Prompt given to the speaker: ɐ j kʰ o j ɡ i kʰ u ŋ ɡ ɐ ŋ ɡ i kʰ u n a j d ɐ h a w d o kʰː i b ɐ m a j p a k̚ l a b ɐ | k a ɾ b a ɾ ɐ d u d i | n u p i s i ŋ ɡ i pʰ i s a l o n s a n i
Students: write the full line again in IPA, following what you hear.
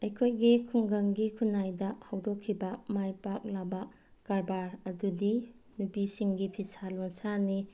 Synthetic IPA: ɐ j kʰ o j ɡ i kʰ u ŋ ɡ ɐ ŋ ɡ i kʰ u n a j d ɐ h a w d o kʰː i b ɐ m a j p a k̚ l a b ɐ | k a ɾ b a ɾ ɐ d u d i | n u p i s i ŋ ɡ i pʰ i s a l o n s a n i

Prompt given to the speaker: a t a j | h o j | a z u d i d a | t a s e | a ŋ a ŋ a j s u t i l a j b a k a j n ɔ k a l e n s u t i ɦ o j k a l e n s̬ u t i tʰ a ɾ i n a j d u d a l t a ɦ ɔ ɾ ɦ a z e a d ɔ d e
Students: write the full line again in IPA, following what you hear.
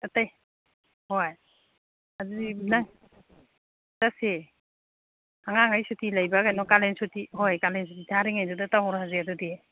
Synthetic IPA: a t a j | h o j | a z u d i n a | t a s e | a ŋ a ŋ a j s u t i l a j b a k a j n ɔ k a l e n s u t i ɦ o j k a l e n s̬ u t i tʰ a ɾ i ŋ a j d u d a t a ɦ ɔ ɾ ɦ a z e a d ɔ d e

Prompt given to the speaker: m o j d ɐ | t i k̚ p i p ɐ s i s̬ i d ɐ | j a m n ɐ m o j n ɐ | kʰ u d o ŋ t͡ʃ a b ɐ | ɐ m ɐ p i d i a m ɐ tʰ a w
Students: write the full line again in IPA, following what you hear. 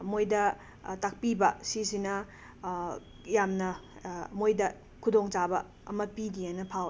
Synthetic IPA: m o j d ɐ | t a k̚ p i b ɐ s i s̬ i n ɐ | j a m n ɐ m o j d ɐ | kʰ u d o ŋ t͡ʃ a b ɐ | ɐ m ɐ p i d i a n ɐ pʰ a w

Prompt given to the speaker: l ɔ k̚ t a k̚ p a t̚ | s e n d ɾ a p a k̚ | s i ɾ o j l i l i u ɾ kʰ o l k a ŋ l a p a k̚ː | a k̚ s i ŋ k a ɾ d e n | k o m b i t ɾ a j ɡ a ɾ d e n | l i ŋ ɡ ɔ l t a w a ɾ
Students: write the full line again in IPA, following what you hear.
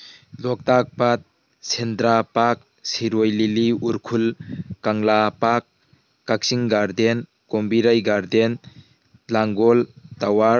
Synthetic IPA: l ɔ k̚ t a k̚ p a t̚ | s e n d ɾ a p a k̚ | s i ɾ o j l i l i u ɾ kʰ u l k a ŋ l a p a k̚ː | a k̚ s i ŋ ɡ a ɾ d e n | k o m b i ɾ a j ɡ a ɾ d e n | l a ŋ ɡ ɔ l t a w a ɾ

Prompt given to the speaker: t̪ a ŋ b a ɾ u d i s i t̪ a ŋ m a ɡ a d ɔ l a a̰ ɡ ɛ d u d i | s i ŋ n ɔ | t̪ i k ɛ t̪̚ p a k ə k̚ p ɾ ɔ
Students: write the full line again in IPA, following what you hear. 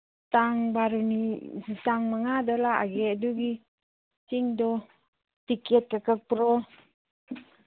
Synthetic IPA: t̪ a ŋ b a ɾ u n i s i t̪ a ŋ m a ŋ a d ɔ l a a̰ ɡ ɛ d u ɡ i | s i ŋ d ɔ | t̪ i k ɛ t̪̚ k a k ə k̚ p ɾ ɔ

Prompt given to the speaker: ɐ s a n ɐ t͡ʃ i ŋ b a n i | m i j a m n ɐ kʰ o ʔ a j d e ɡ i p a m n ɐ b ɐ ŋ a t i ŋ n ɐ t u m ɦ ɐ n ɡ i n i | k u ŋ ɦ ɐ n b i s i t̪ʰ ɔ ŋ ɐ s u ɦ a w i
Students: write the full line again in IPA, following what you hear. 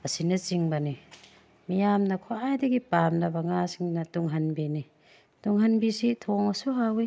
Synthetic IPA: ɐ s i n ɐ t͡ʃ i ŋ b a n i | m i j a m n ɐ kʰ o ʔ a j d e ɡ i p a m n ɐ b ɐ ŋ a s i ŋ n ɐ t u ŋ ɦ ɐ n b i n i | t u ŋ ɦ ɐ n b i s i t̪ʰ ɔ ŋ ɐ s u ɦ a w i

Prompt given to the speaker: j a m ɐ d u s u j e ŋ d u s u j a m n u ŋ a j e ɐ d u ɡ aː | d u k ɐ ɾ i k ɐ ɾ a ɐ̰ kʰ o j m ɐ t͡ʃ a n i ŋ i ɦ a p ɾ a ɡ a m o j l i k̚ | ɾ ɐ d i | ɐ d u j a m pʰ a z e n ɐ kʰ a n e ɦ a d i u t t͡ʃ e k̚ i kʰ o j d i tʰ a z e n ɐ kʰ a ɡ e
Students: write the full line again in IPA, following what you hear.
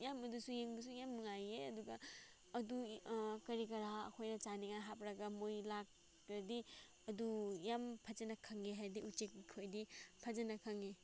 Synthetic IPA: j a m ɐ d u s u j e ŋ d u s u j a m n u ŋ a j e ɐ d u ɡ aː | d u k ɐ ɾ i k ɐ ɾ a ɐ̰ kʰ o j n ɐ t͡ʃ a n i ŋ a ɦ a p ɾ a ɡ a m o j l a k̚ | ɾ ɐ d i | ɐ d u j a m pʰ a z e n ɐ kʰ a ŋ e ɦ a d i u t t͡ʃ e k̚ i kʰ o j d i pʰ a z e n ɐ kʰ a ŋ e

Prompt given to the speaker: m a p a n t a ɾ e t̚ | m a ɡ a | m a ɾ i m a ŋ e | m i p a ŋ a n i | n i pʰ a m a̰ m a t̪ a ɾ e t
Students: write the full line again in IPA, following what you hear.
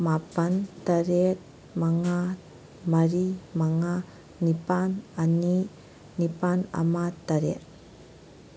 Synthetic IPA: m a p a n t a ɾ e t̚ | m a ŋ a | m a ɾ i m a ŋ a | n i p a n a n i | n i p a n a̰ m a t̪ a ɾ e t

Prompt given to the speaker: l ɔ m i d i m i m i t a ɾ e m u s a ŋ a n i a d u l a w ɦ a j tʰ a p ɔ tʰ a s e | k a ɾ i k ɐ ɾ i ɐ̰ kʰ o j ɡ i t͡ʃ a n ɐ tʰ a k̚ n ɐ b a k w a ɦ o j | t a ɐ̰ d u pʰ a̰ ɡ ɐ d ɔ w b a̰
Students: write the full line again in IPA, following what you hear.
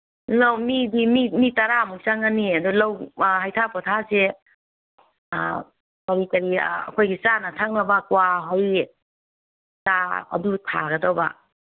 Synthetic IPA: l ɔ m i d i m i m i t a ɾ a m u s a ŋ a n i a d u l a w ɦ a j tʰ a p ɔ tʰ a s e | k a ɾ i k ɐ ɾ i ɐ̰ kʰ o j ɡ i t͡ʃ a n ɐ tʰ a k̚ n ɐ b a k w a ɦ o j | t a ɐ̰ d u tʰ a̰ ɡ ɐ d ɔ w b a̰

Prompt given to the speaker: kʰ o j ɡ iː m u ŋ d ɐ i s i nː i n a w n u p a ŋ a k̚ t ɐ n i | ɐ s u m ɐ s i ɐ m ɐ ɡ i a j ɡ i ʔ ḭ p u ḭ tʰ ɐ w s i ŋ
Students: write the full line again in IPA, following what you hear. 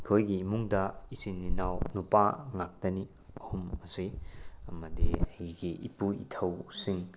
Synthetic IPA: kʰ o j ɡ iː m u ŋ d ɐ i s i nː i n a w n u p a ŋ a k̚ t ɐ n i | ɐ h u m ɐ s i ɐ m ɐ d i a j ɡ i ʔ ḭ p u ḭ tʰ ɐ w s i ŋ

